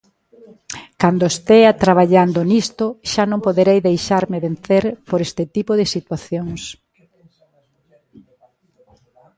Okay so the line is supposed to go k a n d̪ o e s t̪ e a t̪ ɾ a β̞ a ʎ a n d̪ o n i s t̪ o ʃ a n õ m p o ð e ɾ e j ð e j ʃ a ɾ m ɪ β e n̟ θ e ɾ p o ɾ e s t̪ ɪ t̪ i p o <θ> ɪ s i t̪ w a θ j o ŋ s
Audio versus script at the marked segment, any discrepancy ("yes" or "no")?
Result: yes